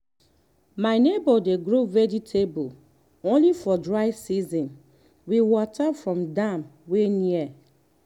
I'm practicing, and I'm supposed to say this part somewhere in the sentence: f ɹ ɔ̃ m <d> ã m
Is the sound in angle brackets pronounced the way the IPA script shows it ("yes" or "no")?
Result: yes